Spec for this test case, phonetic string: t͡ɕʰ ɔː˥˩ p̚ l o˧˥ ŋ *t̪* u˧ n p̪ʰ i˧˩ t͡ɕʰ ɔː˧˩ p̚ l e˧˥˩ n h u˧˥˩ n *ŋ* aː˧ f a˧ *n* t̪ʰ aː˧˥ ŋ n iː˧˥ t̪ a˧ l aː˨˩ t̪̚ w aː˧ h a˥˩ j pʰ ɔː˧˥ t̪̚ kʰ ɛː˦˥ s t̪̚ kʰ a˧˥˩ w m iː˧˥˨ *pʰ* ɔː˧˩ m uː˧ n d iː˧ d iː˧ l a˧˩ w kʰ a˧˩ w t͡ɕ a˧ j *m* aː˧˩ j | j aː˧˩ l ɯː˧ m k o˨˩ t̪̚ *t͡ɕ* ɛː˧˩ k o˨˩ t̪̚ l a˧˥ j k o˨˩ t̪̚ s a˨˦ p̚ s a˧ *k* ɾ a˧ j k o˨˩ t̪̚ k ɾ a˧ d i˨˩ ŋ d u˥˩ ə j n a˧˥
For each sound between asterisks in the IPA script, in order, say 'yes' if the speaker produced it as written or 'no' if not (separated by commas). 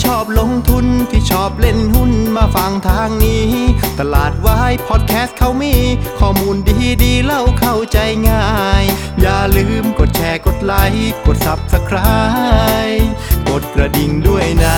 no, no, no, no, no, no, no